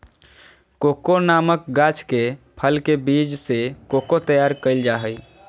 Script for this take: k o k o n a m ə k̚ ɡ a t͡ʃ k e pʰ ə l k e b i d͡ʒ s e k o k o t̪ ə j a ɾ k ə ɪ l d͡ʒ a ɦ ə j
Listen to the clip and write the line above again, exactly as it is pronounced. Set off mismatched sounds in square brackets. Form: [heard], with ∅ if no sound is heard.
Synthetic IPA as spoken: k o k o n a m ə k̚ ɡ a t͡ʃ k e pʰ ə l k e b i d͡ʒ s e k o k o t̪ ə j a ɾ k ə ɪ l d͡ʒ a ɦ ə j